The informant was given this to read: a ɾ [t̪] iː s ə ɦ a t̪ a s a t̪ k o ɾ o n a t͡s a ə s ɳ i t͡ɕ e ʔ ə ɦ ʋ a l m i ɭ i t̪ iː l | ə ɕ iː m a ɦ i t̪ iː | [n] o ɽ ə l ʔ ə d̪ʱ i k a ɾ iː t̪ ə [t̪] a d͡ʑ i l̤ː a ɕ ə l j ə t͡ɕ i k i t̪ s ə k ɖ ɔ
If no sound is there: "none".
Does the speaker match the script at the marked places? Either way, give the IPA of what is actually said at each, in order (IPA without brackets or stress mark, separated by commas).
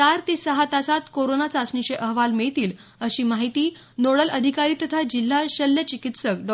t̪, n, t̪ʰ